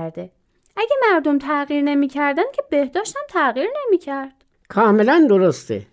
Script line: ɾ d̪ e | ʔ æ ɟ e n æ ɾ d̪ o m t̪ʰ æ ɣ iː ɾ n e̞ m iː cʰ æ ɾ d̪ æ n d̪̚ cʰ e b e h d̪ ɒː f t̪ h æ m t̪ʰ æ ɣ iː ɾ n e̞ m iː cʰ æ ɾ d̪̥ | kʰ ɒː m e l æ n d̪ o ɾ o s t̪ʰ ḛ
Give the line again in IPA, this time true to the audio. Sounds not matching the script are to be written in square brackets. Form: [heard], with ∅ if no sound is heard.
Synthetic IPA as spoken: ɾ d̪ e | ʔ æ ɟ e [m] æ ɾ d̪ o m t̪ʰ æ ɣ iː ɾ n e̞ m iː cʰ æ ɾ d̪ æ n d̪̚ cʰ e b e h d̪ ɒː [ʃ] t̪ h æ m t̪ʰ æ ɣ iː ɾ n e̞ m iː cʰ æ ɾ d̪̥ | kʰ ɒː m e l æ n d̪ o ɾ o s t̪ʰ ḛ